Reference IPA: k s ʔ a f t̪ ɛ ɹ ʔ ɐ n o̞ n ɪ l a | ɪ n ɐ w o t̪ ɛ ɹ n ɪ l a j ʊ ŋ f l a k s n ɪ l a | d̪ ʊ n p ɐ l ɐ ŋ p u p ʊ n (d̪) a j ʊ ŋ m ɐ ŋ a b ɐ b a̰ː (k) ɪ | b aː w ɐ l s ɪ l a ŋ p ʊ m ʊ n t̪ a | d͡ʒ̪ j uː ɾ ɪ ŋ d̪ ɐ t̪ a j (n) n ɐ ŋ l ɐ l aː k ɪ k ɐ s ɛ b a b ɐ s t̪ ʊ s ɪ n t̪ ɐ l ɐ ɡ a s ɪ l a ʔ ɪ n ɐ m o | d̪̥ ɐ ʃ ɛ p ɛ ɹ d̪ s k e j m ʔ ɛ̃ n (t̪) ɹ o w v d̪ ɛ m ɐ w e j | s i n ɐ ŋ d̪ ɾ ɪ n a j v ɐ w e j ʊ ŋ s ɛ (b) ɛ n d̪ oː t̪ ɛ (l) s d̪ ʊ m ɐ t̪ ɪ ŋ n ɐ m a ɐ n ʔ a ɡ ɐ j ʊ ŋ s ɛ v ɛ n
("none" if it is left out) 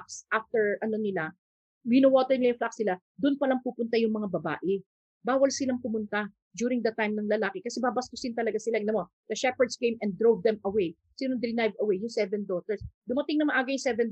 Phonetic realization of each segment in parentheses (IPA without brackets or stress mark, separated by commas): t̪, ʔ, m, d̪, v, ɹ